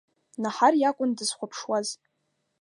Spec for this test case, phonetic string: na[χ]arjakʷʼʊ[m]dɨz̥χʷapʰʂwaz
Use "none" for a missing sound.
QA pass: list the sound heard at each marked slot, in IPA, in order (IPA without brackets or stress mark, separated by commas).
ħ, n